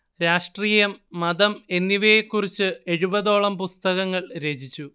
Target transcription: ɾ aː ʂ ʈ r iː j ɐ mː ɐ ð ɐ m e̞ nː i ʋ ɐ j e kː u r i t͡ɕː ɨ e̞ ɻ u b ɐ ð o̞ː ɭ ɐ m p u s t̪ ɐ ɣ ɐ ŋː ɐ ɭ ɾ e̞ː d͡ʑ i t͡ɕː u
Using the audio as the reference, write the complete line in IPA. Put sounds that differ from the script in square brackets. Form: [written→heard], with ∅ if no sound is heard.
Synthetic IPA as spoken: ɾ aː ʂ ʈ r iː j ɐ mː ɐ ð ɐ m e̞ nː i ʋ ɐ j e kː u r i t͡ɕː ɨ e̞ ɻ u b ɐ ð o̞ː ɭ ɐ m p u s t̪ ɐ ɣ ɐ ŋː ɐ ɭ ɾ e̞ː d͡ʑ i t͡ɕː u